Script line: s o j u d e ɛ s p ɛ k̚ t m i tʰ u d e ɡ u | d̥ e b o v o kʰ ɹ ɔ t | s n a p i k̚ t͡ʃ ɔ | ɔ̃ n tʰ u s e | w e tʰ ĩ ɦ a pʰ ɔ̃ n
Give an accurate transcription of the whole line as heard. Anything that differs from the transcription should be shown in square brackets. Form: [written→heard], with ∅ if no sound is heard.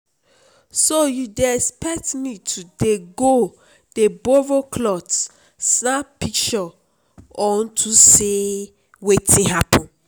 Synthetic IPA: s o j u d e ɛ s p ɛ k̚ t m i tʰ u d e ɡ [u→o] | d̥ e b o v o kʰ [ɹ→l] ɔ t | s n a p i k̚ t͡ʃ ɔ | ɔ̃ n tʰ u s e | w e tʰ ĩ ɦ a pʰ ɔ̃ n